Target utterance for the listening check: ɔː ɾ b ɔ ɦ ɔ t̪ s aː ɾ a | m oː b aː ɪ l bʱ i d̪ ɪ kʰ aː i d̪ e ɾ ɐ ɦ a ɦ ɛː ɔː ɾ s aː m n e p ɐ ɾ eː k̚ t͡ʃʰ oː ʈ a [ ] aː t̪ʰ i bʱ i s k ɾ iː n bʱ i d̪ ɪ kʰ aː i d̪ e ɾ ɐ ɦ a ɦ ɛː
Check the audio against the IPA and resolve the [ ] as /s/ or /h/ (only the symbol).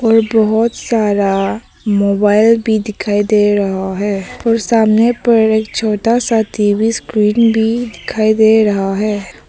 s